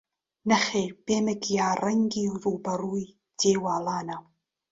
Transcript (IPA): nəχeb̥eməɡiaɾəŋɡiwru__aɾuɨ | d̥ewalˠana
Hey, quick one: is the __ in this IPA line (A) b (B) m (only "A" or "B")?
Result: A